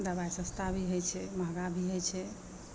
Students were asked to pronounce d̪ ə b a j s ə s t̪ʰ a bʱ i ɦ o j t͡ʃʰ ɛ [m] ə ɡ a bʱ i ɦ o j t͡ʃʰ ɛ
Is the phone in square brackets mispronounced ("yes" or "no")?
no